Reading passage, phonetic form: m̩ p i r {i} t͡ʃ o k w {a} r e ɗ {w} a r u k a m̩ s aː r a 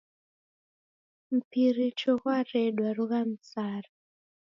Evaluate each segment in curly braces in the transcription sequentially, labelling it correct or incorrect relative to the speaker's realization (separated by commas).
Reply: correct, correct, correct